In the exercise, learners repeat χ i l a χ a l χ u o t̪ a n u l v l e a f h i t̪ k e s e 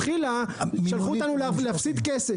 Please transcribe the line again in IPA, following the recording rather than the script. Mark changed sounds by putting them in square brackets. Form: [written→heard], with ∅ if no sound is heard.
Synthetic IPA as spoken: χ i l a [χ→ʃ] a l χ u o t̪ a n u l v l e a f [h→s] i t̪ k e s e